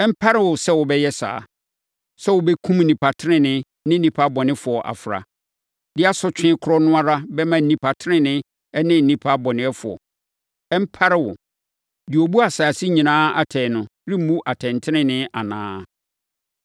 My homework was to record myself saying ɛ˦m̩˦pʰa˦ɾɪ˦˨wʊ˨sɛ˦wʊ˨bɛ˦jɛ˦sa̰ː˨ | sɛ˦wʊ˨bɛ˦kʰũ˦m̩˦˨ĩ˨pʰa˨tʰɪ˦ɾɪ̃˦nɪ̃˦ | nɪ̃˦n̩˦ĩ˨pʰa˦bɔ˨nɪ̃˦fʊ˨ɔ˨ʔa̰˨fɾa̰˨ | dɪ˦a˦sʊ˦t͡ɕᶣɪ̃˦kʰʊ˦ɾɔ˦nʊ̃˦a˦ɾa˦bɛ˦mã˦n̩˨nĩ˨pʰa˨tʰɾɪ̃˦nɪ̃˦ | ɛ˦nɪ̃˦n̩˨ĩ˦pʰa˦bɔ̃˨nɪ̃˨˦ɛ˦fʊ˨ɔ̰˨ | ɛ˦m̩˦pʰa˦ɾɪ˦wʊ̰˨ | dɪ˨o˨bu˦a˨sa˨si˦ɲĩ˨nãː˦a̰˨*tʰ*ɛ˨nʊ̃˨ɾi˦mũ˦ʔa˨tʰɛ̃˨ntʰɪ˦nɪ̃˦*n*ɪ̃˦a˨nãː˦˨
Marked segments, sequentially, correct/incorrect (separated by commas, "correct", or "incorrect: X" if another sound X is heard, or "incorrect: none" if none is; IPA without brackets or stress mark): correct, correct